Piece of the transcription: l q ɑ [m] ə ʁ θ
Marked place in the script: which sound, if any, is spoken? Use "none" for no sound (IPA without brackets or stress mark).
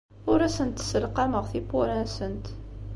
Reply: m